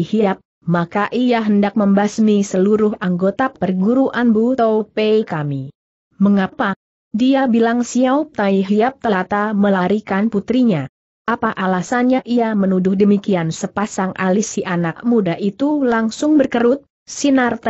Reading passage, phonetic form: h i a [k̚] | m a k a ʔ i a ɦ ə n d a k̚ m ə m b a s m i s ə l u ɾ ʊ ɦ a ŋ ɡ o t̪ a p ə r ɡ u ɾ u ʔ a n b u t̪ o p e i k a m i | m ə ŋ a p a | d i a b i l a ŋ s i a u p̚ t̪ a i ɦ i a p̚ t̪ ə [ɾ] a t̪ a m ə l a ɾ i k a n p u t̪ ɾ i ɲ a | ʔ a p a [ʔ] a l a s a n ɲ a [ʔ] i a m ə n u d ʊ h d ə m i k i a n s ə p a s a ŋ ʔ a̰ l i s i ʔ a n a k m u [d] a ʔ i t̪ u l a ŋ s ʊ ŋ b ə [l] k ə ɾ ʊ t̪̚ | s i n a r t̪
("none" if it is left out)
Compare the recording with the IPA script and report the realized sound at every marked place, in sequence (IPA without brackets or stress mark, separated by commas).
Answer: p̚, l, ʔ, ʔ, d, r